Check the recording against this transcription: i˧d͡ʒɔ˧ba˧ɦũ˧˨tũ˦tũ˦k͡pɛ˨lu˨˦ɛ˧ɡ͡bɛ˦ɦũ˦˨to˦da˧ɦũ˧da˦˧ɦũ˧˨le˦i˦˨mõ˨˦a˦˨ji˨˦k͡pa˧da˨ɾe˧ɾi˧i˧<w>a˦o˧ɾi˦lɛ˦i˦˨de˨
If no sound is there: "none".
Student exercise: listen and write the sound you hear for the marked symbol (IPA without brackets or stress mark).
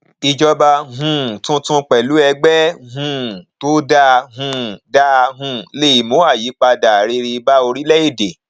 b